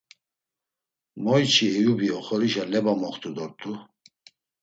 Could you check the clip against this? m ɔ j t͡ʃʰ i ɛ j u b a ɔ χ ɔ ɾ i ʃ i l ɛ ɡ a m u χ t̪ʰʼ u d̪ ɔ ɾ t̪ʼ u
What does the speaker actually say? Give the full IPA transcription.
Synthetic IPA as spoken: m ɔ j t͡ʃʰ i ɛ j u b i ɔ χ ɔ ɾ i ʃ a l ɛ b a m ɔ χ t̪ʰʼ u d̪ ɔ ɾ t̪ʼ u